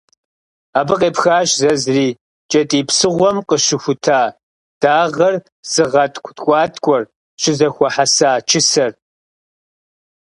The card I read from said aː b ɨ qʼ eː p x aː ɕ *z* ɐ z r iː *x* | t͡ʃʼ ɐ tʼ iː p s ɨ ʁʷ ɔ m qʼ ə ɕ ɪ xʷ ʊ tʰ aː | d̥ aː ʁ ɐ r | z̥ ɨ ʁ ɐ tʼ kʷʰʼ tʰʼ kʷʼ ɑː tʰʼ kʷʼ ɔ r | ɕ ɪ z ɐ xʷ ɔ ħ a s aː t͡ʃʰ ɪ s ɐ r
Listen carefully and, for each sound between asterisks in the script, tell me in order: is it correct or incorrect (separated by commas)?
correct, incorrect